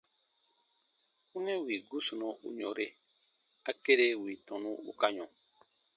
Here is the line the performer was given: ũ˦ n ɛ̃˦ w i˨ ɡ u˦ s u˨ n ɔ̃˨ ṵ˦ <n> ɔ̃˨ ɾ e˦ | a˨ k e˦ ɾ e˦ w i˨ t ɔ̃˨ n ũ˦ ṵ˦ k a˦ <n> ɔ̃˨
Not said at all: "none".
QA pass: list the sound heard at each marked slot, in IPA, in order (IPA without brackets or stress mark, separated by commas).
ɲ, ɲ